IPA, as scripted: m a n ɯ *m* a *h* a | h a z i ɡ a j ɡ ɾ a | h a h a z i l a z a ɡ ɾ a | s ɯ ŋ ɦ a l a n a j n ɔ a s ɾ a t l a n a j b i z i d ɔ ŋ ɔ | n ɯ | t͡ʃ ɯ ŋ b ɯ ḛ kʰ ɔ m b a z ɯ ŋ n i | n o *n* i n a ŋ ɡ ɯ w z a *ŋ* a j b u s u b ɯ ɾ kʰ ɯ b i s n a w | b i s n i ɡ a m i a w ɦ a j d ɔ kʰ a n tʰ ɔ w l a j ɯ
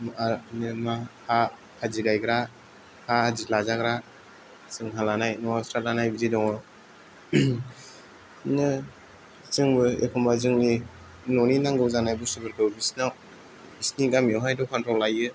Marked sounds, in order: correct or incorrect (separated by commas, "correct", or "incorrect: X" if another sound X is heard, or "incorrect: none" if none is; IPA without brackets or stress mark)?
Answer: correct, correct, correct, incorrect: n